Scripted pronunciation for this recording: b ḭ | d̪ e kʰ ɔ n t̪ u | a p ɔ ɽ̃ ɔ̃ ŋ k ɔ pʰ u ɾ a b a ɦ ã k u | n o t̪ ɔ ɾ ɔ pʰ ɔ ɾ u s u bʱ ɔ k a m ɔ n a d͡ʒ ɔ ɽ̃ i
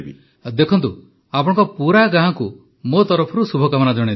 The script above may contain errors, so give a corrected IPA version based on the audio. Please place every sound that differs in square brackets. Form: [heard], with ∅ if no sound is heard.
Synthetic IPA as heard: b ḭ | d̪ e kʰ ɔ n t̪ u | a p ɔ ɽ̃ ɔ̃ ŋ k ɔ [p] u ɾ a [ɡ] a ɦ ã k u | [m] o t̪ ɔ ɾ ɔ pʰ ɔ ɾ u s u bʱ ɔ k a m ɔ n a d͡ʒ ɔ ɽ̃ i

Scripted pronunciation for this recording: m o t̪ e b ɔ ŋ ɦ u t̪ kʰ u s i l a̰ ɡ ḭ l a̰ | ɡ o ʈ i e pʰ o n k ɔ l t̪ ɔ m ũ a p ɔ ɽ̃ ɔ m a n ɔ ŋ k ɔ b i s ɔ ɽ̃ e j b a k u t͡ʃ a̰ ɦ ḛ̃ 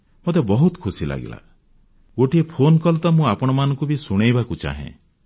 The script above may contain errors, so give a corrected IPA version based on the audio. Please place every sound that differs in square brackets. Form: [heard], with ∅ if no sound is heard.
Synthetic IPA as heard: m o t̪ e b ɔ [∅] ɦ u t̪ kʰ u s i l a̰ ɡ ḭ l a̰ | ɡ o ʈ i e pʰ o n k ɔ l t̪ ɔ m ũ a p ɔ ɽ̃ ɔ m a n ɔ ŋ k [u] b i s [u] ɽ̃ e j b a k u t͡ʃ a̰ ɦ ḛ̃

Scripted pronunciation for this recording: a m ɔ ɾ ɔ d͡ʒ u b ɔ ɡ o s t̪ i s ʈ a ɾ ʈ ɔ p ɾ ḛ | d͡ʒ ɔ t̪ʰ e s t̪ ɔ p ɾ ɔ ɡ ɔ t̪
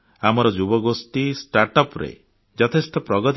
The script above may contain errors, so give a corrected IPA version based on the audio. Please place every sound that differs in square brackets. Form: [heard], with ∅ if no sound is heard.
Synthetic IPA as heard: a m ɔ ɾ ɔ d͡ʒ u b ɔ ɡ o s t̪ i s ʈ a ɾ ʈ ɔ p ɾ ḛ | d͡ʒ ɔ t̪ʰ e s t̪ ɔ p ɾ ɔ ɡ ɔ t̪

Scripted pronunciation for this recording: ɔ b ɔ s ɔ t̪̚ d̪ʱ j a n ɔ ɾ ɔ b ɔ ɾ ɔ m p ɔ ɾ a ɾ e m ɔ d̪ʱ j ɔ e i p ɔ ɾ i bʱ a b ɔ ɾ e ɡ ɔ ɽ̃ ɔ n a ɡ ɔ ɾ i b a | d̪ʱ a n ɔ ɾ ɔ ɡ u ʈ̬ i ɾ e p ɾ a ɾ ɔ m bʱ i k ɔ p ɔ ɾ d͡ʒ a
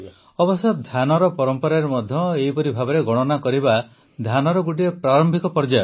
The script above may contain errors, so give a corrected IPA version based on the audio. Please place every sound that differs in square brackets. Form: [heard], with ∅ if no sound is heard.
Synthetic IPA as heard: ɔ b ɔ s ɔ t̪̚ d̪ʱ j a n ɔ ɾ ɔ [p] ɔ ɾ ɔ m p ɔ ɾ a ɾ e m ɔ d̪ʱ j ɔ e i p ɔ ɾ i bʱ a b ɔ ɾ e ɡ ɔ ɽ̃ ɔ n a [k] ɔ ɾ i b a | d̪ʱ a n ɔ ɾ ɔ ɡ u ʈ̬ i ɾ e p ɾ a ɾ ɔ m bʱ i k ɔ p ɔ ɾ d͡ʒ a

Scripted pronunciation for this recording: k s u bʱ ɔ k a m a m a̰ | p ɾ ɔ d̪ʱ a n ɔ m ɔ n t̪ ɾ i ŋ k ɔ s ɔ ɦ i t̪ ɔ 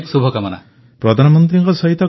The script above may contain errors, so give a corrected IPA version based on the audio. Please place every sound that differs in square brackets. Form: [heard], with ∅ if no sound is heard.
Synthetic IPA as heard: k s u bʱ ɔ k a m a [n] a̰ | p ɾ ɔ d̪ʱ a n ɔ m ɔ n t̪ ɾ i ŋ k ɔ s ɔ ɦ i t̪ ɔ

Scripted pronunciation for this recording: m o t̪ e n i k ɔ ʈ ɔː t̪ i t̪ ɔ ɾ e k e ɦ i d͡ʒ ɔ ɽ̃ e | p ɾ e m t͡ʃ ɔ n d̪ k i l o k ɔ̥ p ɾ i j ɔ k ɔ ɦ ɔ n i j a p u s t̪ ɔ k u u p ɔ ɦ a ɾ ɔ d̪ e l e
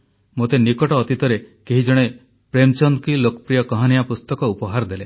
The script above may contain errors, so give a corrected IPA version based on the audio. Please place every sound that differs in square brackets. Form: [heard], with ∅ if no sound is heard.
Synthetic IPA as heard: m o t̪ e n i k ɔ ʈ ɔː t̪ i t̪ ɔ ɾ e k e ɦ i d͡ʒ ɔ ɽ̃ e | p ɾ e m t͡ʃ ɔ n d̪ k i l o k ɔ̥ p ɾ i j ɔ k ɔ ɦ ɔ n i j a p u s t̪ ɔ k [ɔ] u p ɔ ɦ a ɾ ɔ d̪ e l e

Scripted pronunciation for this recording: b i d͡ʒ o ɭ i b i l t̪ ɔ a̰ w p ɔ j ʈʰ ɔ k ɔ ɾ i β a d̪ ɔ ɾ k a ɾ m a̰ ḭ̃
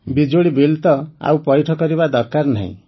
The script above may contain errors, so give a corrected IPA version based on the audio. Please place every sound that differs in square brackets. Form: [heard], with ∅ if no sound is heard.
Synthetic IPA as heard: b i d͡ʒ o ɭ i b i l t̪ ɔ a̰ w p ɔ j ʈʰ ɔ k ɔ ɾ i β a d̪ ɔ ɾ k a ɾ [n] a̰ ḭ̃

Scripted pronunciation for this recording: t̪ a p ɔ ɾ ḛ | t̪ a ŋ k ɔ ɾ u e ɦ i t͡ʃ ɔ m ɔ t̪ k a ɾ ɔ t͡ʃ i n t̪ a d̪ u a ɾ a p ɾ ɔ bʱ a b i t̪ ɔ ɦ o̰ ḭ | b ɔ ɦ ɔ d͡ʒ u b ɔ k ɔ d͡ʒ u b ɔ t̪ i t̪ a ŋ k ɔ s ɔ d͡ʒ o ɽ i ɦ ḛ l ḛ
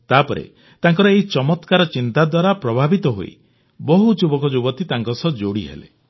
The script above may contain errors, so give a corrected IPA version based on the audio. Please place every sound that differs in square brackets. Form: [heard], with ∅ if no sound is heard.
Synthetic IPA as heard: t̪ a p ɔ ɾ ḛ | t̪ a ŋ k ɔ ɾ [ɔ] e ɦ i t͡ʃ ɔ m ɔ t̪ k a ɾ ɔ t͡ʃ i n t̪ a d̪ [w] a ɾ a p ɾ ɔ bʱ a b i t̪ ɔ ɦ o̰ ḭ | b ɔ ɦ [u] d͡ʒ u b ɔ k ɔ d͡ʒ u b ɔ t̪ i t̪ a ŋ k ɔ s ɔ d͡ʒ o ɽ i ɦ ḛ l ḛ

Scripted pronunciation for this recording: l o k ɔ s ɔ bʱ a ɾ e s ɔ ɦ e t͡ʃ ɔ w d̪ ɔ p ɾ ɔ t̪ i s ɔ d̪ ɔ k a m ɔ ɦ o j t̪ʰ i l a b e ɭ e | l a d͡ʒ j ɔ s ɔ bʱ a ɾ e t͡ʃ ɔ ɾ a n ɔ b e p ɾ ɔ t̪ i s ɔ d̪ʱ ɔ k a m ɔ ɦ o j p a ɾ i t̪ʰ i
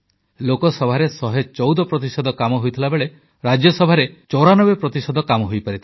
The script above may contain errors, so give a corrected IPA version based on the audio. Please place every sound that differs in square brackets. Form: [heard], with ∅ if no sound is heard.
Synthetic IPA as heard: l o k ɔ s ɔ bʱ a ɾ e s ɔ ɦ e t͡ʃ ɔ w d̪ ɔ p ɾ ɔ t̪ i s ɔ d̪ ɔ k a m ɔ ɦ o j t̪ʰ i l a b e ɭ e | [ɾ] a d͡ʒ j ɔ s ɔ bʱ a ɾ e t͡ʃ ɔ ɾ a n ɔ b e p ɾ ɔ t̪ i s ɔ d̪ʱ ɔ k a m ɔ ɦ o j p a ɾ i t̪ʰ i

